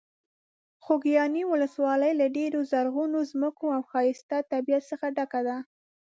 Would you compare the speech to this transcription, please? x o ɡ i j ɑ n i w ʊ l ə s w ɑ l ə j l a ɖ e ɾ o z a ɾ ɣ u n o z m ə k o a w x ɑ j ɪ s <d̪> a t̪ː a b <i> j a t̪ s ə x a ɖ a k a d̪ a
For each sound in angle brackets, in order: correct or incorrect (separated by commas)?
incorrect, correct